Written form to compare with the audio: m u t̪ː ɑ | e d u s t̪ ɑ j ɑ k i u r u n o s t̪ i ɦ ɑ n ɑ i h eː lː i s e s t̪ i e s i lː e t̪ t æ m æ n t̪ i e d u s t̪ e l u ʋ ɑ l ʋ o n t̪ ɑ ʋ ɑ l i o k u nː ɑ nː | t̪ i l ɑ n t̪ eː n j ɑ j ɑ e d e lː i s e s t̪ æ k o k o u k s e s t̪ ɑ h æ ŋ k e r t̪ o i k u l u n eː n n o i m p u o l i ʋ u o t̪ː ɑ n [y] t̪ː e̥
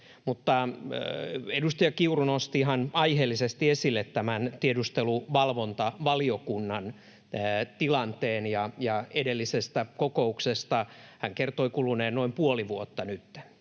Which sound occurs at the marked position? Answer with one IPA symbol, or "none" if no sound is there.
y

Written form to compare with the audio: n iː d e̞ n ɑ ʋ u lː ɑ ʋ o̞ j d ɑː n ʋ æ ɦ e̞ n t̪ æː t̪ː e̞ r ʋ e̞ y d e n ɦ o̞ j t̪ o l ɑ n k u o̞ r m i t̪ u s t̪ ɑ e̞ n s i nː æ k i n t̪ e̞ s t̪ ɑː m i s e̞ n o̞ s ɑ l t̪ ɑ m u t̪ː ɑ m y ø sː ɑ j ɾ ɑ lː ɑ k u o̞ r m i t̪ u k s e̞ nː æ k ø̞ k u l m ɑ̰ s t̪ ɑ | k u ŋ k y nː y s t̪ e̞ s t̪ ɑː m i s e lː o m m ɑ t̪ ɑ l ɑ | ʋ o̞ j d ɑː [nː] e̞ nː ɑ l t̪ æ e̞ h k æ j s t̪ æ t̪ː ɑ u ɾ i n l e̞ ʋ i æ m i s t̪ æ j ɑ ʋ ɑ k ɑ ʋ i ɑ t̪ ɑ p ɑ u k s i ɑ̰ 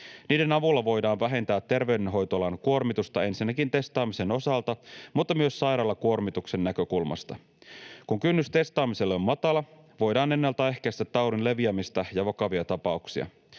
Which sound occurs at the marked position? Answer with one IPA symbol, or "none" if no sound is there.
n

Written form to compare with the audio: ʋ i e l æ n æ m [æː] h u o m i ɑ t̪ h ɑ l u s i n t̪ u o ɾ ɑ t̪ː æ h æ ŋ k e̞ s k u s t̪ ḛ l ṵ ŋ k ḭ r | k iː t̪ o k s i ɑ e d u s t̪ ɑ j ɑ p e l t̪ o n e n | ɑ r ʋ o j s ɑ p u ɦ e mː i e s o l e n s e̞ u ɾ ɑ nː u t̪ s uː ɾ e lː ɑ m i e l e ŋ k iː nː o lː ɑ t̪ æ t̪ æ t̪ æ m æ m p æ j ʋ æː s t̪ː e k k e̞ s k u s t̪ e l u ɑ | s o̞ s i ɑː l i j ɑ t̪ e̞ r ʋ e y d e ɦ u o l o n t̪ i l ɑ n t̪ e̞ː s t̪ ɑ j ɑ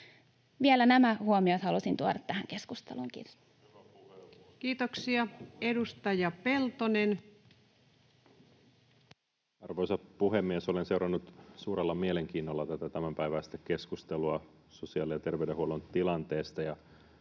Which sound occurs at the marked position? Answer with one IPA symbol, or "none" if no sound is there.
æ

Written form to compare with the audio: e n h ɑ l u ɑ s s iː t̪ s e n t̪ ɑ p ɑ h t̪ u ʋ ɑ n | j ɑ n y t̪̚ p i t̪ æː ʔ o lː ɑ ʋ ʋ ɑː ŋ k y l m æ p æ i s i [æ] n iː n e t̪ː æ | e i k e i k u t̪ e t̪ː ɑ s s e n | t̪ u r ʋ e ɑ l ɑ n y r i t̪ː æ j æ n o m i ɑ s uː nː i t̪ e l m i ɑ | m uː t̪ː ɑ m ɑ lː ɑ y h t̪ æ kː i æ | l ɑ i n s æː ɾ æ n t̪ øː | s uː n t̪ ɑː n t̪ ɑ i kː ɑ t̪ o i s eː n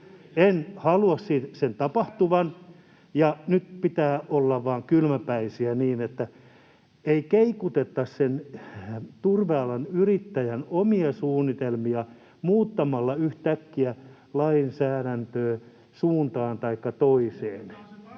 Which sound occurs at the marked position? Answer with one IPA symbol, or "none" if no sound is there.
æ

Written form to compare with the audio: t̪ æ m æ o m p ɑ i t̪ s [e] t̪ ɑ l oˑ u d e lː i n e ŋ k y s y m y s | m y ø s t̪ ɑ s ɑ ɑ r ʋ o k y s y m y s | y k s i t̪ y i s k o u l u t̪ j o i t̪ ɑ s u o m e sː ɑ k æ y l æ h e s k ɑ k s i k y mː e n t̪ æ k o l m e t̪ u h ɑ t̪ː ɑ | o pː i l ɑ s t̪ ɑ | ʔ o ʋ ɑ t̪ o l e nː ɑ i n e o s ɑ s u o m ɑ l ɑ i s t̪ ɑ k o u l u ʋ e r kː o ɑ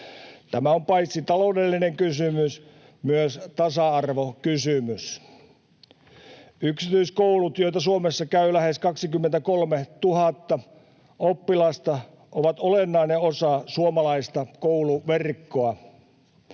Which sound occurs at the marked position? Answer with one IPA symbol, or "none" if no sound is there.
i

